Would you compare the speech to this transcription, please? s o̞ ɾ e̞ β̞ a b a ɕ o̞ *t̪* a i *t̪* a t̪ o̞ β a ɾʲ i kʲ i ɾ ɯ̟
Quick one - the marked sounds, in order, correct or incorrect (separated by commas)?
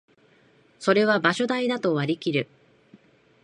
incorrect, incorrect